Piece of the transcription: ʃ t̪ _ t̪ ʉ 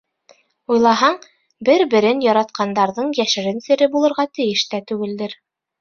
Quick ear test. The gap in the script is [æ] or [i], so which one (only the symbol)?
æ